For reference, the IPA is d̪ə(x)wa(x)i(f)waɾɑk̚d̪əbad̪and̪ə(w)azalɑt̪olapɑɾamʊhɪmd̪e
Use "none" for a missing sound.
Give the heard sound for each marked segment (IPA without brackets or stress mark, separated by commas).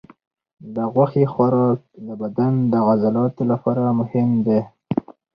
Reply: ɣ, x, x, ɣ